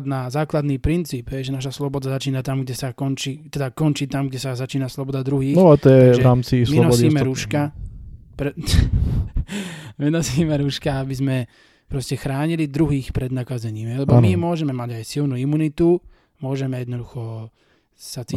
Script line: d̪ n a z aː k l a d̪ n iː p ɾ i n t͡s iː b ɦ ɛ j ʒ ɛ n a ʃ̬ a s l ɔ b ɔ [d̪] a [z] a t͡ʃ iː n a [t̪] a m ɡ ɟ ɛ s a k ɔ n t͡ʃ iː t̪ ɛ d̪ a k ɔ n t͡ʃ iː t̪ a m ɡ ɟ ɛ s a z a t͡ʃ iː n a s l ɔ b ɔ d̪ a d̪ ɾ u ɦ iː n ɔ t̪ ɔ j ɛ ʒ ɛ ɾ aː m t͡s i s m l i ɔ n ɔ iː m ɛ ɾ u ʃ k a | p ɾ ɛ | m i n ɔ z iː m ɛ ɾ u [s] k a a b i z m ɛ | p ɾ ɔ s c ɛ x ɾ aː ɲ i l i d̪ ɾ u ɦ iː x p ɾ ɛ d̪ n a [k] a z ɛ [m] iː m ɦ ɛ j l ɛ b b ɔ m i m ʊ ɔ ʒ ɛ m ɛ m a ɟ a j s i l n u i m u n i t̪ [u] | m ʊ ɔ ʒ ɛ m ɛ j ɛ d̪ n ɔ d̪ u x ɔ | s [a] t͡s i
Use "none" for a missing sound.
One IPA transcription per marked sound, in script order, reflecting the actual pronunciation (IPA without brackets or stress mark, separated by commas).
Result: d̪, z, t̪, ʃ, k, ɲ, u, a